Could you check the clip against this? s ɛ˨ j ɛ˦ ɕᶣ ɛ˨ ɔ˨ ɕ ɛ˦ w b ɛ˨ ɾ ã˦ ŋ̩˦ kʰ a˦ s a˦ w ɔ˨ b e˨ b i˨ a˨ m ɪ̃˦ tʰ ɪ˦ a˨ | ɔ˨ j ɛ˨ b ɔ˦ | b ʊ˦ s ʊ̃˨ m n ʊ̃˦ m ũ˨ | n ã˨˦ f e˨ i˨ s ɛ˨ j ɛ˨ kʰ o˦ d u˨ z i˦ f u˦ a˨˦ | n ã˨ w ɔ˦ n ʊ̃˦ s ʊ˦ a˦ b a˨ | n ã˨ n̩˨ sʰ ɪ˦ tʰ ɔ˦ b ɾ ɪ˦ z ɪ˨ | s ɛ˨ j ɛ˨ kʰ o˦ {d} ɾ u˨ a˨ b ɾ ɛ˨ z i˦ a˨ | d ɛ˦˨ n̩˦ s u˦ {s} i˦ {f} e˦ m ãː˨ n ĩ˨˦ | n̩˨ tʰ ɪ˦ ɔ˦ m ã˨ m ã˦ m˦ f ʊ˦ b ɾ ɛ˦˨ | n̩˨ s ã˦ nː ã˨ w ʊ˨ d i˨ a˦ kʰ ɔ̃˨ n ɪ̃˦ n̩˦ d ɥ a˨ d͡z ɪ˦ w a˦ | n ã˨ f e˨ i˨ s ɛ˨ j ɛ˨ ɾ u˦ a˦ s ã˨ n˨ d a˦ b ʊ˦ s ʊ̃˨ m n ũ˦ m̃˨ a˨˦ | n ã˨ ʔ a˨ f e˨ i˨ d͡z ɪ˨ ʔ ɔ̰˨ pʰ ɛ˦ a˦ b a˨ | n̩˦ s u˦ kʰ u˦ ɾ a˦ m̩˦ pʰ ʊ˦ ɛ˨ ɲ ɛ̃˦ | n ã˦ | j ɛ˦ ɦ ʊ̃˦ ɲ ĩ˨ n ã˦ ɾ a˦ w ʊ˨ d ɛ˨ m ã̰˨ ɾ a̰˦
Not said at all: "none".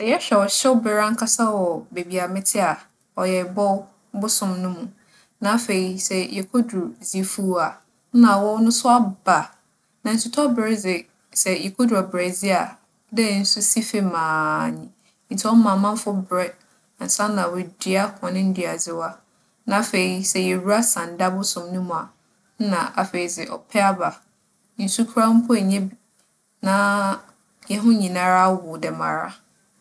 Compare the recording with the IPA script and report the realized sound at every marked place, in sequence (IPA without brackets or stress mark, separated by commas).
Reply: d, s, f